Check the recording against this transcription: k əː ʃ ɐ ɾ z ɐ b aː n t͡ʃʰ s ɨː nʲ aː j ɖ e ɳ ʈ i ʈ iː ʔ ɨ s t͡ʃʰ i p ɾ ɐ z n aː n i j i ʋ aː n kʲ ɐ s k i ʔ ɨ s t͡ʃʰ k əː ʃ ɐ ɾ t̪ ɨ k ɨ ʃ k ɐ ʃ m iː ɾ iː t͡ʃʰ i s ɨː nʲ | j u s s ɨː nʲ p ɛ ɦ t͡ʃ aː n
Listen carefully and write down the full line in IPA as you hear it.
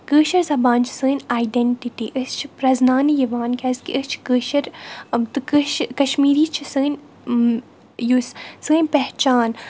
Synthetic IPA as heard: k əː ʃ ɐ ɾ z ɐ b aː n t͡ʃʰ s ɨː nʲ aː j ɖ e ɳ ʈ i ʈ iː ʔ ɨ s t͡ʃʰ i p ɾ ɐ z n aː n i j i ʋ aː n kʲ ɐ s k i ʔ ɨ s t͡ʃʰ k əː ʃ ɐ ɾ t̪ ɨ k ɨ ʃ k ɐ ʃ m iː ɾ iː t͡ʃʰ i s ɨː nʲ | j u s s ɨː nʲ p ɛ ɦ t͡ʃ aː n